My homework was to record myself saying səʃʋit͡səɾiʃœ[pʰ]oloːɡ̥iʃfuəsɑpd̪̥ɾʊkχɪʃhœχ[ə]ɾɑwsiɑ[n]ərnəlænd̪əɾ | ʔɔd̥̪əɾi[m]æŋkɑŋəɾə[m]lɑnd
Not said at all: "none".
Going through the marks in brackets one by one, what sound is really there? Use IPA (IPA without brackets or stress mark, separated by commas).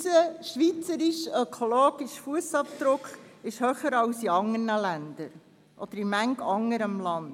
kʰ, ə, ŋ, m, m